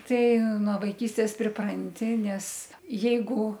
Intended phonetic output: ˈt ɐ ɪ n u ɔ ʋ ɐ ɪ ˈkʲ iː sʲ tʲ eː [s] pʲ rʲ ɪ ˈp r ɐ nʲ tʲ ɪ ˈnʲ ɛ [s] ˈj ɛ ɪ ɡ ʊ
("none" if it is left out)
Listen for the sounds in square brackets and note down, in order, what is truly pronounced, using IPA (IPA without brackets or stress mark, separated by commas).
s, s